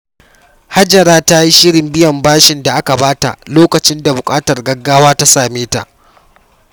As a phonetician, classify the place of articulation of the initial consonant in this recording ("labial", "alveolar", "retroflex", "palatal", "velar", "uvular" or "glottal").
glottal